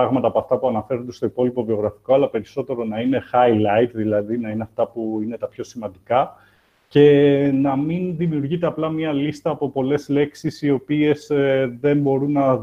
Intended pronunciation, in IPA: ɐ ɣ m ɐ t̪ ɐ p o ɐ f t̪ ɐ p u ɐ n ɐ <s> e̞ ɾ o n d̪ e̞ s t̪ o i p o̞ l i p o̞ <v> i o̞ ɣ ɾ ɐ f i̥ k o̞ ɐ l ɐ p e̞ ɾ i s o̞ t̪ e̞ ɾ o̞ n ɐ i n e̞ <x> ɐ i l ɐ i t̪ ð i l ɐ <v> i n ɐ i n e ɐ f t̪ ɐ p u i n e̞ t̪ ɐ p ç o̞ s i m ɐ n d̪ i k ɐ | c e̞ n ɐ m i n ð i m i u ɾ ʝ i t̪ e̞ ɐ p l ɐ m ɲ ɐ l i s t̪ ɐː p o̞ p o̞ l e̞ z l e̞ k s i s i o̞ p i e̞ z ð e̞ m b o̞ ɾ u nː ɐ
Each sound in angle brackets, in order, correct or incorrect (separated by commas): incorrect, correct, correct, incorrect